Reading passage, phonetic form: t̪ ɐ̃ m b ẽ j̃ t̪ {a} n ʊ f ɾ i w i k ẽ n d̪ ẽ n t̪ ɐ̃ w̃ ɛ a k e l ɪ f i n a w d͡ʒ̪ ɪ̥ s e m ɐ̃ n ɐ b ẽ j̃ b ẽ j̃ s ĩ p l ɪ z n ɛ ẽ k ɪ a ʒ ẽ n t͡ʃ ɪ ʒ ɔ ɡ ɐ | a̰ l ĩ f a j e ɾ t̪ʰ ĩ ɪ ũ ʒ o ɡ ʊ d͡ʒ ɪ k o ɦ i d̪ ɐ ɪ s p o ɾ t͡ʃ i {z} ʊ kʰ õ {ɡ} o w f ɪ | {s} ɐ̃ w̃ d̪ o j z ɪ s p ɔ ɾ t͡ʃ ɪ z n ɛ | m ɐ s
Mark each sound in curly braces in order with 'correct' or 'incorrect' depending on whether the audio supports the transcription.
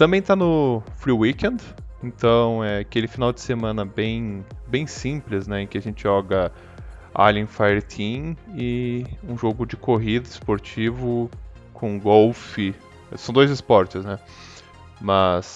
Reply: correct, incorrect: v, correct, correct

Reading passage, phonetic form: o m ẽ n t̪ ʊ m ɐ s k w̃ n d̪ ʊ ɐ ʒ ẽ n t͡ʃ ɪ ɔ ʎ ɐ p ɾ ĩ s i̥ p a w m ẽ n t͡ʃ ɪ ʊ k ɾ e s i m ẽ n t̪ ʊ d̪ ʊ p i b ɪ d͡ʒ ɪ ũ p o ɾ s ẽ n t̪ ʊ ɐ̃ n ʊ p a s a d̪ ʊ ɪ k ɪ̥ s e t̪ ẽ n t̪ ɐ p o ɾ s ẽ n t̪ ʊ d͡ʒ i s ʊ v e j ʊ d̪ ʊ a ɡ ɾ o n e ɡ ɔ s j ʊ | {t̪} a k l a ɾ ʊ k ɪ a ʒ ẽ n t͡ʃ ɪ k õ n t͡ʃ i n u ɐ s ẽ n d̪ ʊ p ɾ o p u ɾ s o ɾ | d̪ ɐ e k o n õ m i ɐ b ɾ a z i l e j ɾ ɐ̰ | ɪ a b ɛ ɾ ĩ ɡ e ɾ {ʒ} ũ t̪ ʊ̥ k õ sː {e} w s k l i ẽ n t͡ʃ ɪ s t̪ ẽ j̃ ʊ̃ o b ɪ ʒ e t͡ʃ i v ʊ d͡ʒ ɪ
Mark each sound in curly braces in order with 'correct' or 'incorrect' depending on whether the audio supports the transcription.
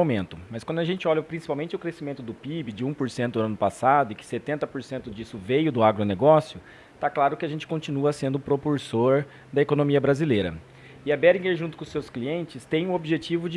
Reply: correct, correct, correct

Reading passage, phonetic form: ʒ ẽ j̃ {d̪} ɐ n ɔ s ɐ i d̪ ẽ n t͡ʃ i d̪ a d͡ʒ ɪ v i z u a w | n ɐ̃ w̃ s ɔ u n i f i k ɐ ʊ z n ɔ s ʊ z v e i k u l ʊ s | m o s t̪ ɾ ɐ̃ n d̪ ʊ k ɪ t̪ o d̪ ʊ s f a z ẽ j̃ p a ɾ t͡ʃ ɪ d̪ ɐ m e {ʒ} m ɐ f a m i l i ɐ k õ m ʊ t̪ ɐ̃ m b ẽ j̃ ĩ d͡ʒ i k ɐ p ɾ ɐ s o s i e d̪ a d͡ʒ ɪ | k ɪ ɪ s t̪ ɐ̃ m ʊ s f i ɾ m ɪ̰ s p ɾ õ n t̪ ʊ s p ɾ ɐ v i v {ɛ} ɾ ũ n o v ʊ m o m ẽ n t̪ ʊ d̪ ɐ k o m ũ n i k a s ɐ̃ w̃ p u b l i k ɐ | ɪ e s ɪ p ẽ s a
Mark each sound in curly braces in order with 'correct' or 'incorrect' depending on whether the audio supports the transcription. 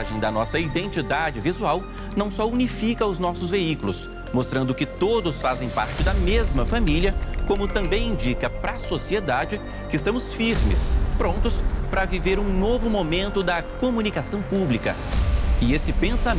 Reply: correct, incorrect: z, incorrect: e

